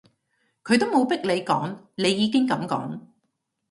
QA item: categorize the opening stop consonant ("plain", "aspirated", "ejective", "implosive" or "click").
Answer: aspirated